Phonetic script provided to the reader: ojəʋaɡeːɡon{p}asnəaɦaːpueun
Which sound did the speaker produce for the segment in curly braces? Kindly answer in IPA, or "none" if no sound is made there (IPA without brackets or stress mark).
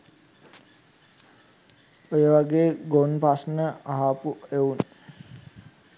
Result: p